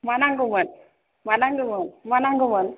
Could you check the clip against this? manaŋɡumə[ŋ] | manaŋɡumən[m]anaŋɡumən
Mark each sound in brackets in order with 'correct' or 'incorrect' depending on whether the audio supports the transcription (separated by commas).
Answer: incorrect, correct